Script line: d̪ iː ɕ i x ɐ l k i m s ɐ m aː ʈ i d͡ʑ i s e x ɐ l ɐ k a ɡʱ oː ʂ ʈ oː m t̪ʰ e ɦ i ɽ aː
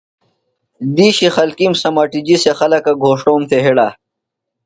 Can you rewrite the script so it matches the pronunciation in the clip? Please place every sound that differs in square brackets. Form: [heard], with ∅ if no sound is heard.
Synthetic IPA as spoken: d̪ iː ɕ i x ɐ l k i m s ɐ m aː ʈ i d͡ʑ i s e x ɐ l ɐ k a ɡʱ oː ʂ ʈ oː m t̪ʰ e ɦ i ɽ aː